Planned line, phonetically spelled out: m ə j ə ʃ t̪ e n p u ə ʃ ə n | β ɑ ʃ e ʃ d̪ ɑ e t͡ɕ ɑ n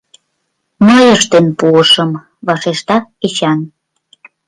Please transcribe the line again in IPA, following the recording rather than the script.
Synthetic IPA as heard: m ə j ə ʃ t̪ e n p u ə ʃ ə m | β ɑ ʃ e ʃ t̪ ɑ e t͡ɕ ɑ n